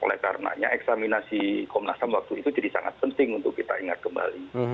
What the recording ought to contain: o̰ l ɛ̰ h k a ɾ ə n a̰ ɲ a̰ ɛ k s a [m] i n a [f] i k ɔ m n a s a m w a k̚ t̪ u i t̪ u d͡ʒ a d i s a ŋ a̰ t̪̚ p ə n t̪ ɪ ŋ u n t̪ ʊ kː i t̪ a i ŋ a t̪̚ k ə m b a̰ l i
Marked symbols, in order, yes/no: yes, no

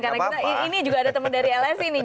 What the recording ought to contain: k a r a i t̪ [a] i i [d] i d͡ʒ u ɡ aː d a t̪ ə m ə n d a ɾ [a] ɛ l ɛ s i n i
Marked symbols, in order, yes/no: yes, no, no

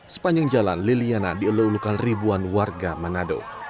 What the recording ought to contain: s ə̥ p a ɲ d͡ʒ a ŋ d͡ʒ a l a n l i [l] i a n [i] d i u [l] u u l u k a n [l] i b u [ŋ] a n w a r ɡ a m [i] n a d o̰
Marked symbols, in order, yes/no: yes, no, yes, no, no, no

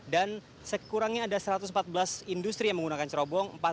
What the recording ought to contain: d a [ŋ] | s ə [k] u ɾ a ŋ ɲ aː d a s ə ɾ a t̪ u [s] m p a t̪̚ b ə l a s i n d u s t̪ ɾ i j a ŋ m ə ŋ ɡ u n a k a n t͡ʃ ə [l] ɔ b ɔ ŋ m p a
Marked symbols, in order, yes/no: no, yes, yes, no

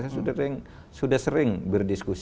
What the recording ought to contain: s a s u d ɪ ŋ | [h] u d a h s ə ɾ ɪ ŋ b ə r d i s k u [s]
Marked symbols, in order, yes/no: no, yes

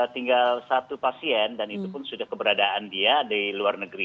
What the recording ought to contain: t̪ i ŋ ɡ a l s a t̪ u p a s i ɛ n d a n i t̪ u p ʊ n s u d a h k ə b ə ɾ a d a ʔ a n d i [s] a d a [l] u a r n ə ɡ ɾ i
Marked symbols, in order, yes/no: no, yes

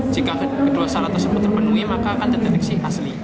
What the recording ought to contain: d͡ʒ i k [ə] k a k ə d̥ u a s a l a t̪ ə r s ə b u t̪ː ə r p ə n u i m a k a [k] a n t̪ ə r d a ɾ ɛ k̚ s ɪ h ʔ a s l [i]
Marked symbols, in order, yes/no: no, yes, yes

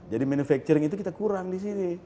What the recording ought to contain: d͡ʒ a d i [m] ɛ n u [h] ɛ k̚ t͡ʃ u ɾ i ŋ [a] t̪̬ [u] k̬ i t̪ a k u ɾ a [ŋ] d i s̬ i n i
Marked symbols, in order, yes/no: yes, no, no, yes, yes

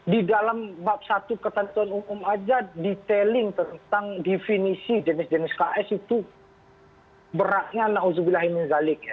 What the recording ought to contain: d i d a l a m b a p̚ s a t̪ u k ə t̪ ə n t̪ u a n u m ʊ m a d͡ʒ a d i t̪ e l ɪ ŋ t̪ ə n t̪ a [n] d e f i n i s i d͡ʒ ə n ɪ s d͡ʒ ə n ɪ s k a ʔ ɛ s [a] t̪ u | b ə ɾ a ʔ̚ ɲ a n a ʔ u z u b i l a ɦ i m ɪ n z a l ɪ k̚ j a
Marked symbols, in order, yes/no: no, no

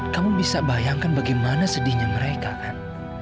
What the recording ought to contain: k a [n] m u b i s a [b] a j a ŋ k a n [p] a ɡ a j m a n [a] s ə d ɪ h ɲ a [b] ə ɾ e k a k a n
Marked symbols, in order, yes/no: no, yes, no, yes, no

